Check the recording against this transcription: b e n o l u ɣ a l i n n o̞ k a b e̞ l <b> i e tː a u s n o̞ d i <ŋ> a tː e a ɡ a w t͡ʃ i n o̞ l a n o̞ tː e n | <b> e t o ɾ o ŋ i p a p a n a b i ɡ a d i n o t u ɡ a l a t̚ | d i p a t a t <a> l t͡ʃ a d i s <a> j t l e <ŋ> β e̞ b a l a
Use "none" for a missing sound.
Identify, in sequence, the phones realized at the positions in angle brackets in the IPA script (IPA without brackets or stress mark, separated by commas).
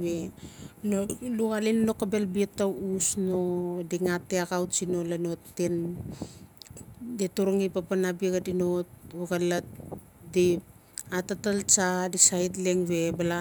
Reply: b, ŋ, d, a, a, ŋ